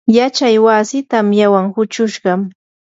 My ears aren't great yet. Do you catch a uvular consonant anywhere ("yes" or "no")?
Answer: yes